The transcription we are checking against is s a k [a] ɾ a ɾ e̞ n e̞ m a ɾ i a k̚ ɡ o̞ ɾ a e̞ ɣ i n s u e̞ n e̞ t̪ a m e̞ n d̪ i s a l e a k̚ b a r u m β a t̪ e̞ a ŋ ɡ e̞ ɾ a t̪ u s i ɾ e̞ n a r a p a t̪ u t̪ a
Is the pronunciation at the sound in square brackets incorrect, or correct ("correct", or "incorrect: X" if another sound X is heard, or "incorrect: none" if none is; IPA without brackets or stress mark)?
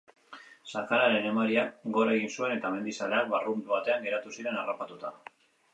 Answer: correct